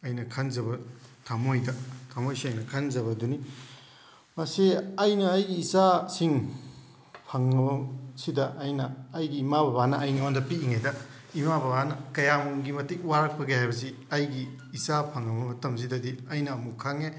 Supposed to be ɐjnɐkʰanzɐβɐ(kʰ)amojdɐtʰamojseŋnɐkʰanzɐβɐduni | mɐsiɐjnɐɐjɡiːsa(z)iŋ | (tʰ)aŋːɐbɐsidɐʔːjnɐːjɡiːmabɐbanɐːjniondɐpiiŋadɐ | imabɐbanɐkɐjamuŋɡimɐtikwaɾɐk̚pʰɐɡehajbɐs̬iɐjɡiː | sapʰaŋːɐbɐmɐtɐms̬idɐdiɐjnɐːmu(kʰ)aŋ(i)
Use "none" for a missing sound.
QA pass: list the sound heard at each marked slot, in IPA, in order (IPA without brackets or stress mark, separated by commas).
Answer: tʰ, s, pʰ, kʰ, e